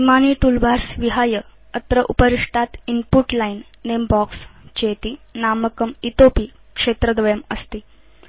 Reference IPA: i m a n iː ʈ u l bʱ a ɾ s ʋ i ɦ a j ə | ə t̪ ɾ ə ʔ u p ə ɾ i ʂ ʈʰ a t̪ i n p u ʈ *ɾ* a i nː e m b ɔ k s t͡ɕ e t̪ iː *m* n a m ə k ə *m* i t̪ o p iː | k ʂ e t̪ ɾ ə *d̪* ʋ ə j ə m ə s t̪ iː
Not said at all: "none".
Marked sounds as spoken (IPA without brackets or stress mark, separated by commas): l, none, m, d̪